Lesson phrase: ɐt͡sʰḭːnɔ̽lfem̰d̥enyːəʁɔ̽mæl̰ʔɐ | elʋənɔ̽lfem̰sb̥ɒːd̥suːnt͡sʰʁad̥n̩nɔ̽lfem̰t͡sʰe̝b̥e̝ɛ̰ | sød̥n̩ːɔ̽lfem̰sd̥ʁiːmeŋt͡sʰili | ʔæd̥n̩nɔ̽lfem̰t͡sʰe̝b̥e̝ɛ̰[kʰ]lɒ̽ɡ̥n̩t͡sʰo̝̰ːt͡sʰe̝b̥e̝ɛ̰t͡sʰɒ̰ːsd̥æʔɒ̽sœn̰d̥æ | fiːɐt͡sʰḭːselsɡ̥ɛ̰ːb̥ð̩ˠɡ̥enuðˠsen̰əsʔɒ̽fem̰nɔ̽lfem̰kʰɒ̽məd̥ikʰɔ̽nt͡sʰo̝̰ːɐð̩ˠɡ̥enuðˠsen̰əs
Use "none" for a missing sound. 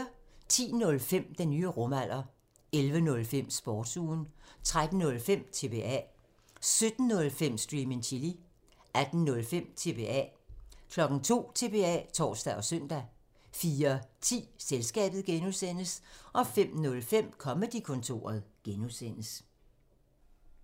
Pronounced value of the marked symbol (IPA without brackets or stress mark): kʰ